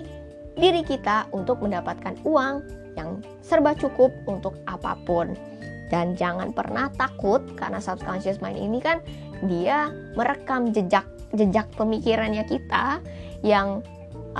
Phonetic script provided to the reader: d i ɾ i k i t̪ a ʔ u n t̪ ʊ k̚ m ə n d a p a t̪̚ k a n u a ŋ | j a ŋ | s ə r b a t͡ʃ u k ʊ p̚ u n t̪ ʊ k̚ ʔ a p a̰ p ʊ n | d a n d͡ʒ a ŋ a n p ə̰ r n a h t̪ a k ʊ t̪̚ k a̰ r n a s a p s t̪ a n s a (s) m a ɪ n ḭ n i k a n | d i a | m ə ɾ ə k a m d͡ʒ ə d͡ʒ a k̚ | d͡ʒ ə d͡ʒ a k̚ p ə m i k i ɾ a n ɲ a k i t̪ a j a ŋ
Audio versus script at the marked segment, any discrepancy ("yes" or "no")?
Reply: no